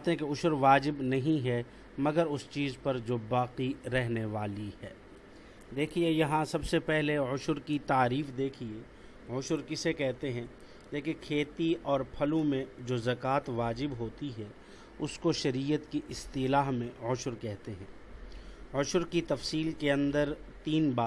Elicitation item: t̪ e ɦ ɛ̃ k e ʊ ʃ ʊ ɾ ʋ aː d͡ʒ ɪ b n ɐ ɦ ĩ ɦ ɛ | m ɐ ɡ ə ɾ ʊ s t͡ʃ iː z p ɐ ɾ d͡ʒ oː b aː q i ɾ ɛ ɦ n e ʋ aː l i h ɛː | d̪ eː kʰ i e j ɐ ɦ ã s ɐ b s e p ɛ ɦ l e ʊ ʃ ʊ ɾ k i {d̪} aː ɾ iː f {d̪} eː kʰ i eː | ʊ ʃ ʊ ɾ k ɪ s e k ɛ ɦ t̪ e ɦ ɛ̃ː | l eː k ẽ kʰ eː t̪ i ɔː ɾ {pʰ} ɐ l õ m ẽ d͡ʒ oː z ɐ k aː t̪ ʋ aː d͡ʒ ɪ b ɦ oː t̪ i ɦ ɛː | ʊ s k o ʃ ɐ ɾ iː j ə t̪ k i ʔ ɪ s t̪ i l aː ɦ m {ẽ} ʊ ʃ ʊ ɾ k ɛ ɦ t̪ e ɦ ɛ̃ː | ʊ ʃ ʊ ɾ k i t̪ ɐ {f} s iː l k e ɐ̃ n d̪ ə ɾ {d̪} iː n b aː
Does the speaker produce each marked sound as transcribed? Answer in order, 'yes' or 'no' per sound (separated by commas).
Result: no, yes, yes, yes, yes, no